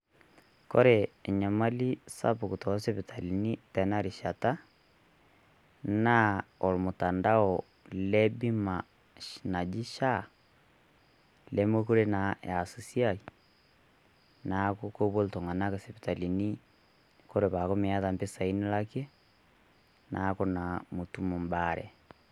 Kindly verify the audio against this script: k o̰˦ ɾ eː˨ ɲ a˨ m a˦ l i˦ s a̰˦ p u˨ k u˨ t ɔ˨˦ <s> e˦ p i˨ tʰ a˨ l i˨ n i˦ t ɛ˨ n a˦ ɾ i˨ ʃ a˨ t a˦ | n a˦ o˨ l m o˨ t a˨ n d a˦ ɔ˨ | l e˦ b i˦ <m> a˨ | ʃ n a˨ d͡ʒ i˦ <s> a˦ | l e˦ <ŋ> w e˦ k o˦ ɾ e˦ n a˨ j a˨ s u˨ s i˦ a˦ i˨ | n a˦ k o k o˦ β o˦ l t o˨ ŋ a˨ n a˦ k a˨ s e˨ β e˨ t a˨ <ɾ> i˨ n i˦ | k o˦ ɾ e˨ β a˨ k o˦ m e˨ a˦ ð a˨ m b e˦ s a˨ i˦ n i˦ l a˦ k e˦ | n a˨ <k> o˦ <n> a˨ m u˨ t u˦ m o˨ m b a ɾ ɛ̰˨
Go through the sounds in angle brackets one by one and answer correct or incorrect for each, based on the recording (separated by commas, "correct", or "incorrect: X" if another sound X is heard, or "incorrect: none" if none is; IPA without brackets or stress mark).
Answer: correct, correct, incorrect: ʃ, incorrect: m, incorrect: l, correct, correct